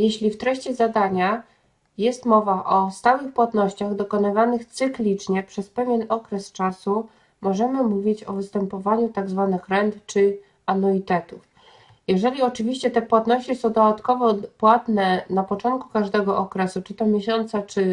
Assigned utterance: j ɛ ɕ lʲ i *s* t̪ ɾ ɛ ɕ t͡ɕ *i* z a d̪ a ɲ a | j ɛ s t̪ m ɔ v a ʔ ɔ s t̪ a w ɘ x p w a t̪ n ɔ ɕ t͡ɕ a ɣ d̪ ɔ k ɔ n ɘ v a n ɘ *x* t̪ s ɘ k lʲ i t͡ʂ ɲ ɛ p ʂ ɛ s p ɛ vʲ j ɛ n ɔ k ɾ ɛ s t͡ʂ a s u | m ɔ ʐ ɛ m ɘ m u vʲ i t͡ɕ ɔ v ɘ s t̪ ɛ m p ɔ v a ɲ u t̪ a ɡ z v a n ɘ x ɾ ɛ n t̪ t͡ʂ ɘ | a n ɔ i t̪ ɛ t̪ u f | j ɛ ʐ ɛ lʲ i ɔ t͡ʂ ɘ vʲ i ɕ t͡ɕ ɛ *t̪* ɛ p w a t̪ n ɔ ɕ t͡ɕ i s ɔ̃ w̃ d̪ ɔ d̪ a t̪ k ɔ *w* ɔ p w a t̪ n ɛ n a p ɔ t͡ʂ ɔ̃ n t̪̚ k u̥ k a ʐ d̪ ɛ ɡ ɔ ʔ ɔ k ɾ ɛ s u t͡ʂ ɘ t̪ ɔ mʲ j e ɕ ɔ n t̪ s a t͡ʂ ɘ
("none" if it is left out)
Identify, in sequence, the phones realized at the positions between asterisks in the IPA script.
f, ɛ, x, t̪, v

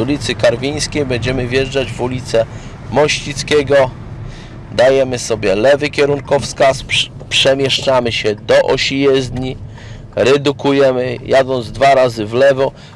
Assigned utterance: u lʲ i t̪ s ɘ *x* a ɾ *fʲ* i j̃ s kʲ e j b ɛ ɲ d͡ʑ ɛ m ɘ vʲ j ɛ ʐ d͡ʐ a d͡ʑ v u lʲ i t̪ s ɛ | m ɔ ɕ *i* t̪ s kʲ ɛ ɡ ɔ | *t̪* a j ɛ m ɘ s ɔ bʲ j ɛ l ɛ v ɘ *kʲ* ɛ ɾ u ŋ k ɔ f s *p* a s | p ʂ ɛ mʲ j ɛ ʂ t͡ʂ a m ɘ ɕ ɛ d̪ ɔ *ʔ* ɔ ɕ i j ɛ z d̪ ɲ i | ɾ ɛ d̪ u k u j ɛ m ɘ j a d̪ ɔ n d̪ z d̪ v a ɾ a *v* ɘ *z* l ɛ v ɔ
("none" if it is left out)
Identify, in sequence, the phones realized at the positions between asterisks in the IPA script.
k, vʲ, i, d̪, kʲ, k, ʔ, z, v

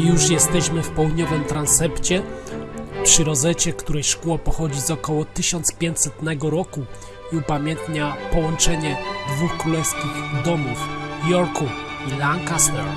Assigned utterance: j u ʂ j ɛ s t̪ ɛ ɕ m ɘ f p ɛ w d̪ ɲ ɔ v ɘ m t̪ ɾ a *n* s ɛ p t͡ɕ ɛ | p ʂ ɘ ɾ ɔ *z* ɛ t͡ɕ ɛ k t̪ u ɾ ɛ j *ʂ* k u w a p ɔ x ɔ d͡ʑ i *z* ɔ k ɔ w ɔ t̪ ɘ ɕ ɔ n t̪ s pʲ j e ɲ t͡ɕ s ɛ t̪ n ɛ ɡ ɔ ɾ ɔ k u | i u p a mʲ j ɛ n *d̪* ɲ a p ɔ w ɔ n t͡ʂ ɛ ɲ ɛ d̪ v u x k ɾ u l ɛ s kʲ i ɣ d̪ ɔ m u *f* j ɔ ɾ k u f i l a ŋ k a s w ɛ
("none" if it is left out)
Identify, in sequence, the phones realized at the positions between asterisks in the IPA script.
n, z, ʂ, z, t̪, f

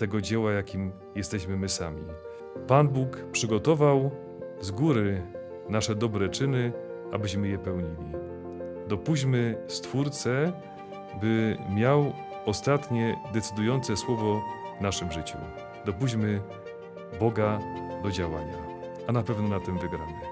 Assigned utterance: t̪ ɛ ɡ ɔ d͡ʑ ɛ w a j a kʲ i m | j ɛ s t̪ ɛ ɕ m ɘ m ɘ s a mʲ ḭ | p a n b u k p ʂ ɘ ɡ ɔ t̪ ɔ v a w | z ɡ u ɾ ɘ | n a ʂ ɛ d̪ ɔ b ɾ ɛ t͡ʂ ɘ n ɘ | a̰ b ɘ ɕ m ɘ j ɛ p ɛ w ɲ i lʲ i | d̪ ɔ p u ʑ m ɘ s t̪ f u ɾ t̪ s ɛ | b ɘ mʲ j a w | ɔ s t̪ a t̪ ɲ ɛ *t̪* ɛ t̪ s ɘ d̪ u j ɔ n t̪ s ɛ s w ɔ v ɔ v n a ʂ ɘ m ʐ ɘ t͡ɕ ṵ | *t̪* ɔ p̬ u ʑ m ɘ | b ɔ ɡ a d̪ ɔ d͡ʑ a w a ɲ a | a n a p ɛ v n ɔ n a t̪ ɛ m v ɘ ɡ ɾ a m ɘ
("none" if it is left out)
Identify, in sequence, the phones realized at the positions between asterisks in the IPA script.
d̪, d̪

